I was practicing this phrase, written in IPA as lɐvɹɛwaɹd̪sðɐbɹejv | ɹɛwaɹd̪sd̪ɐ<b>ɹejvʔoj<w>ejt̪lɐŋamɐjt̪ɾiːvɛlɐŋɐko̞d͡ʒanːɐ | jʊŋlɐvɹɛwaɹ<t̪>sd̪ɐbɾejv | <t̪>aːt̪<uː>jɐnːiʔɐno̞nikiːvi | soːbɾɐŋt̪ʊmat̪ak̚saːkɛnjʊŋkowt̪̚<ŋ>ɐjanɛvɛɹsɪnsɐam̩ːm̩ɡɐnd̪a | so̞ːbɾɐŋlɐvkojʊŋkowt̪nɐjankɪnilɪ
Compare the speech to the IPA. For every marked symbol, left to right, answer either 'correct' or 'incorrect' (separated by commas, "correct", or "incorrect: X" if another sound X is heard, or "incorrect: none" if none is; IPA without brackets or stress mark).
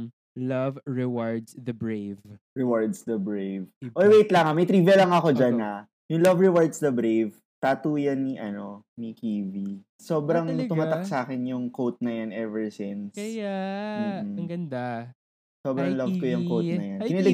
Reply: correct, correct, incorrect: d̪, correct, correct, incorrect: n